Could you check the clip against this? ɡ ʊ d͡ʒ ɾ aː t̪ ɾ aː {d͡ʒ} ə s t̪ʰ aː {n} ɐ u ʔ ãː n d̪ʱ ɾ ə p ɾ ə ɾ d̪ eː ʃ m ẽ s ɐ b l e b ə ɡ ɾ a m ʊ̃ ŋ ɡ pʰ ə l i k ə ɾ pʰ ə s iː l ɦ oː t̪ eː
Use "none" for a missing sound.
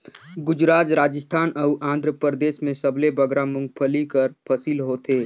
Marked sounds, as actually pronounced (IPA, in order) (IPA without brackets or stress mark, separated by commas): d͡ʒ, n